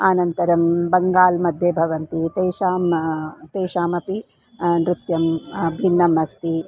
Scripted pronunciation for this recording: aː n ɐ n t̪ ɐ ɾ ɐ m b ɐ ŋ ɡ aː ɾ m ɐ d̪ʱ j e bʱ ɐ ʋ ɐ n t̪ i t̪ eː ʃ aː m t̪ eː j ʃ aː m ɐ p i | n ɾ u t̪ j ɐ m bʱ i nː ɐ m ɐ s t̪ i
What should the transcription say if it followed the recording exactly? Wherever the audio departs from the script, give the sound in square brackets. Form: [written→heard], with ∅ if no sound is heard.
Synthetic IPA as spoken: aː n ɐ n t̪ ɐ ɾ ɐ m b ɐ ŋ ɡ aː [ɾ→l] m ɐ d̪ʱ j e bʱ ɐ ʋ ɐ n t̪ i t̪ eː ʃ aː m t̪ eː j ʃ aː m ɐ p i | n ɾ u t̪ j ɐ m bʱ i nː ɐ m ɐ s t̪ i